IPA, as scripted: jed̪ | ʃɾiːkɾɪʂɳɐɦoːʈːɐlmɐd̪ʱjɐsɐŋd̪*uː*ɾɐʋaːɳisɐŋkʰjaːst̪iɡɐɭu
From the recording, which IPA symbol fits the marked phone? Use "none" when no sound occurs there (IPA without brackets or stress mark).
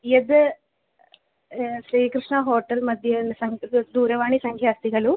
uː